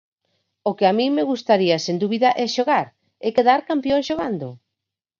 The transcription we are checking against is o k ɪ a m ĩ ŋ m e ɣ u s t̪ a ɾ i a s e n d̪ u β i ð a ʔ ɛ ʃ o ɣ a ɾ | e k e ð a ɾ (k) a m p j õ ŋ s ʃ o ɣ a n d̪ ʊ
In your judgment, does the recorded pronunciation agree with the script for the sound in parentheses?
yes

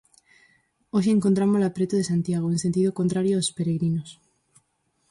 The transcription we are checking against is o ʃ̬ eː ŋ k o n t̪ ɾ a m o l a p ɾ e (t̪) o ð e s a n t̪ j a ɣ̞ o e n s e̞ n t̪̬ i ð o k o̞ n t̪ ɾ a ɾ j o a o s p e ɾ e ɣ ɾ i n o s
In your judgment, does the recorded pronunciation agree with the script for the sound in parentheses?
yes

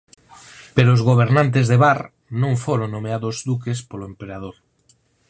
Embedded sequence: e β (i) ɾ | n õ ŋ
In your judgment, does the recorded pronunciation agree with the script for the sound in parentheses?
no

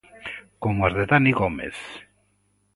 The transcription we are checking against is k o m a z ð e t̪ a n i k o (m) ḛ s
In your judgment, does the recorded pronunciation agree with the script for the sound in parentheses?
yes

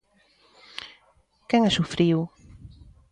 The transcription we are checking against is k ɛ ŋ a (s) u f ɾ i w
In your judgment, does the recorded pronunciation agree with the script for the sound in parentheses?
yes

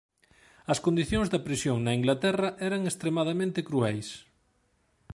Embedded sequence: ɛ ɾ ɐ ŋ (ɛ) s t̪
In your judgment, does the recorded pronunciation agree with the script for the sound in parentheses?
no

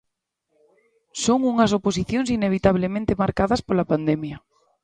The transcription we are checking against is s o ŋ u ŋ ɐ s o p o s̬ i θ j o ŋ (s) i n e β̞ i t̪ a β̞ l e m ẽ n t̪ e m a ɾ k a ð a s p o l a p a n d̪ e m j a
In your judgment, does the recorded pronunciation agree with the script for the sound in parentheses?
yes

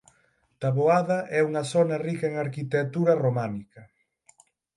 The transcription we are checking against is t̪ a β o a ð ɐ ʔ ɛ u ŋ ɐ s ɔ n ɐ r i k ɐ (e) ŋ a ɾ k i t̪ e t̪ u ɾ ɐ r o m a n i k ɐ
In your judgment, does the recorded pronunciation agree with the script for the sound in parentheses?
yes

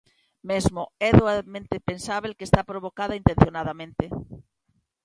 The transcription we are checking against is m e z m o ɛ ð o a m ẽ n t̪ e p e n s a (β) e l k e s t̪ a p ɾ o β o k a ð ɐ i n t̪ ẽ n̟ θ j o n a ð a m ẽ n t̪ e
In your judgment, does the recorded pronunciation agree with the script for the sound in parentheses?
yes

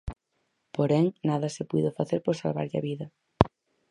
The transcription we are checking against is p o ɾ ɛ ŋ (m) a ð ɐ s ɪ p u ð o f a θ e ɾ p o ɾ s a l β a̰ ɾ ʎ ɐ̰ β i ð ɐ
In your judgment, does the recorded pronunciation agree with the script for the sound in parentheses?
no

